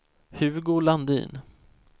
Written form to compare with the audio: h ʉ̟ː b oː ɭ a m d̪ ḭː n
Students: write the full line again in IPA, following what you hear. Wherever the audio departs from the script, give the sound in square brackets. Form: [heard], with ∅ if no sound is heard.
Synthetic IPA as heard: h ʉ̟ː [ɡ] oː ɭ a [n] d̪ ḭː n